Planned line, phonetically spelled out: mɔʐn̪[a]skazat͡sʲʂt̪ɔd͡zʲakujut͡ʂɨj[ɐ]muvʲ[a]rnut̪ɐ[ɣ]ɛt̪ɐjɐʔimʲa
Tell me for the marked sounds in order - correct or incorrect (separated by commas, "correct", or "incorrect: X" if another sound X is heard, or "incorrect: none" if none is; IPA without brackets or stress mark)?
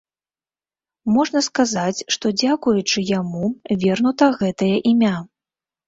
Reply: incorrect: ɐ, incorrect: a, incorrect: ɛ, correct